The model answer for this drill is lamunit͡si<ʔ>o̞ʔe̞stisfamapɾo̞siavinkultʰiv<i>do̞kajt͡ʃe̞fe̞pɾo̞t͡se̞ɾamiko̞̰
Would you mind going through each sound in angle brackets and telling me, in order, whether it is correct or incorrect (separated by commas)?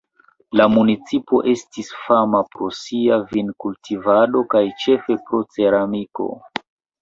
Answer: incorrect, incorrect